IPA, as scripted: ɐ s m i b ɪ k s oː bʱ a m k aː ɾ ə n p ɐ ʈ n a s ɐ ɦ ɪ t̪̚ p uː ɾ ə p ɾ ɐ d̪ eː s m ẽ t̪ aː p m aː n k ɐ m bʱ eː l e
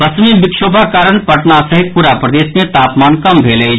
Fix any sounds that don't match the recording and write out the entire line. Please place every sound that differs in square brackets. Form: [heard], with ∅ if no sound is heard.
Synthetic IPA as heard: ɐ s m i b ɪ k [ʃ] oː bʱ a [∅] k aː ɾ ə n p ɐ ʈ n a s ɐ ɦ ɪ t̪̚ p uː ɾ [a] p ɾ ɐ d̪ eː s m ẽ t̪ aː p m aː n k ɐ m bʱ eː l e